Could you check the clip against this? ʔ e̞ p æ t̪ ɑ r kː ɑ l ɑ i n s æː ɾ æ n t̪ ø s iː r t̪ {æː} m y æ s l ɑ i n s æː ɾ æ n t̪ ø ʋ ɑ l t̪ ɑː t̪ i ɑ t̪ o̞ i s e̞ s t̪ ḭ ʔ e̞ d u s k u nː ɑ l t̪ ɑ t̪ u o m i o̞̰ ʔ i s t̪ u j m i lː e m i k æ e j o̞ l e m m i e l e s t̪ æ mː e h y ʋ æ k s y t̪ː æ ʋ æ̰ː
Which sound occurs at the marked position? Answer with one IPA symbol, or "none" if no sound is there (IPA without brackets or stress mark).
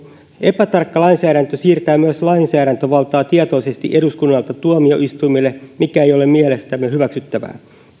æː